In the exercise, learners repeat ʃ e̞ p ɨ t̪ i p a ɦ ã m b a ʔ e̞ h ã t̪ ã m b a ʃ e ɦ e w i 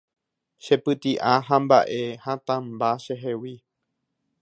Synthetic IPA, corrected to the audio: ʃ e̞ p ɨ t̪ i ʔ a ɦ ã m b a ʔ e̞ h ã t̪ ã m b a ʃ e ɦ e w i